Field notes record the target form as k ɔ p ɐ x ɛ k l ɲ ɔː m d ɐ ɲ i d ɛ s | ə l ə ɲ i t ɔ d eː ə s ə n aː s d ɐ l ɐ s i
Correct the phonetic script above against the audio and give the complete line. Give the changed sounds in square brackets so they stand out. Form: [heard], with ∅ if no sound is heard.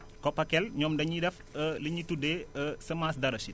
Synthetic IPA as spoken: k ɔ p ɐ [k] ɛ [∅] l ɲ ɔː m d ɐ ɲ i d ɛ [f] | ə l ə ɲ i t [u] d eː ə s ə [m] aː s d ɐ [ɾ] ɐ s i